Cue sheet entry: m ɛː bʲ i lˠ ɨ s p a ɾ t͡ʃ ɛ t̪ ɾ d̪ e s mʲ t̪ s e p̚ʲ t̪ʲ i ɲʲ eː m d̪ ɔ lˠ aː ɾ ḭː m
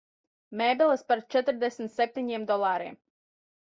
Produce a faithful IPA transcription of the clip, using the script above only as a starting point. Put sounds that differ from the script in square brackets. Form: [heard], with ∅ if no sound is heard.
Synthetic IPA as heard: m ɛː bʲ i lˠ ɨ s p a ɾ t͡ʃ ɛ t̪ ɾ d̪ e s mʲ t̪ s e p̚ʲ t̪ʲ i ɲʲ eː m d̪ ɔ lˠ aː ɾ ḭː m